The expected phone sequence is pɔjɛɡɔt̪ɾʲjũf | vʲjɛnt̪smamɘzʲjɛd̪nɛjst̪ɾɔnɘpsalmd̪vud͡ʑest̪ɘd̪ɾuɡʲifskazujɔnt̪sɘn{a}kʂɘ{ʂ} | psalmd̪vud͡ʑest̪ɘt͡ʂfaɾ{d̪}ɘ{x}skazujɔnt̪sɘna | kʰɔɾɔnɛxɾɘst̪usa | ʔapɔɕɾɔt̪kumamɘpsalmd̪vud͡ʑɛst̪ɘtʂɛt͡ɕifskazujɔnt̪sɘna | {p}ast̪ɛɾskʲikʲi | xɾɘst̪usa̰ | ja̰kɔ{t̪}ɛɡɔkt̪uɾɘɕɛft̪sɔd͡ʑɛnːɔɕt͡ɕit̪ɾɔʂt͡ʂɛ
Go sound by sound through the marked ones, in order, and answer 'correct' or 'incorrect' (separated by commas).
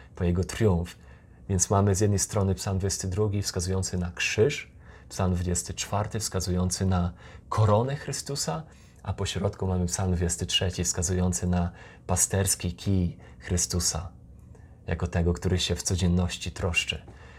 correct, correct, incorrect, incorrect, correct, correct